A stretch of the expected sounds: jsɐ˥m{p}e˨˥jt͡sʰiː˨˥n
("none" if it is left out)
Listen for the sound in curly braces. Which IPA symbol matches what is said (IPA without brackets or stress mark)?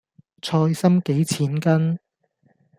k